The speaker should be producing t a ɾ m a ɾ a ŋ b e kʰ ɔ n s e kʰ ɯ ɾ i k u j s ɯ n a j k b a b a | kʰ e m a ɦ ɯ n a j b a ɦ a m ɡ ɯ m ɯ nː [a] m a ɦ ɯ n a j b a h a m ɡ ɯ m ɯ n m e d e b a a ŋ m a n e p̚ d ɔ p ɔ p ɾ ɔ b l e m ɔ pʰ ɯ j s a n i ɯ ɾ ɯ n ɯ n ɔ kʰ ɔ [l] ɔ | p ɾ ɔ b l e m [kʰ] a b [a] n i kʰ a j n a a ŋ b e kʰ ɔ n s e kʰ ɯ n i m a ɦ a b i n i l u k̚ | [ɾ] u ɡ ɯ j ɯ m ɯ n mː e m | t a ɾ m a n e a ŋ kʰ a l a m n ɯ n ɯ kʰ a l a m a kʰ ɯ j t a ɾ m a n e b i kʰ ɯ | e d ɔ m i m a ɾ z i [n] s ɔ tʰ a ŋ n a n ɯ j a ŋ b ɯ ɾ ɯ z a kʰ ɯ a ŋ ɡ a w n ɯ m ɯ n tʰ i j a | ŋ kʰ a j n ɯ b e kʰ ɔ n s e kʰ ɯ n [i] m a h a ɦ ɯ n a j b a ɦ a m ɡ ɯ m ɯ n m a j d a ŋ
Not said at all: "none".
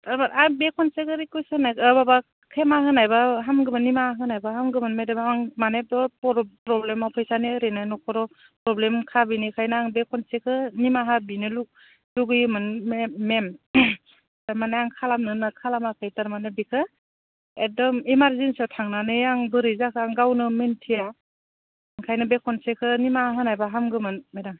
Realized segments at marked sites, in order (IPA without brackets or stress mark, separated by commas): i, ɾ, kʰ, i, l, n, i